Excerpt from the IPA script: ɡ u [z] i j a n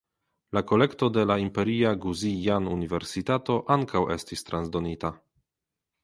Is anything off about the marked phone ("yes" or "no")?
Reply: no